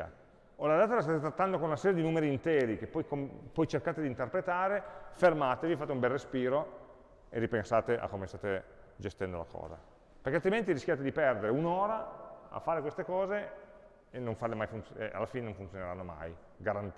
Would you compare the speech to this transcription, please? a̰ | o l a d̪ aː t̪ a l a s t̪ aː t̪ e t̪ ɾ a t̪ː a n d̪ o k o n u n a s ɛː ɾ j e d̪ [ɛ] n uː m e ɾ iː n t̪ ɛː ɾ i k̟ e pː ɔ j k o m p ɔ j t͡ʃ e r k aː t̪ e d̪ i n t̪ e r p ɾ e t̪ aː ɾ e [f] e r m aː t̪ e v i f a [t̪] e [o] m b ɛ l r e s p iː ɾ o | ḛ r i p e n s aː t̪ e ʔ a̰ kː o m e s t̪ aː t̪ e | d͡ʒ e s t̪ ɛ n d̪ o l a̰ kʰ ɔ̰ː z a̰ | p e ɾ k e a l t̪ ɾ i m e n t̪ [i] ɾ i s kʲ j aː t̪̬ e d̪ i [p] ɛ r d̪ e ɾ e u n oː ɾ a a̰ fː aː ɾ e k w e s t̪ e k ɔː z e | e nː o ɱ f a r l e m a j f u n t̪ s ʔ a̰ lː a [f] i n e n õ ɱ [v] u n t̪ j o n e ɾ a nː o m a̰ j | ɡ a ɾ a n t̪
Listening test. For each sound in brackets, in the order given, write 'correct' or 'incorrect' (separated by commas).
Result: incorrect, correct, correct, incorrect, correct, correct, correct, incorrect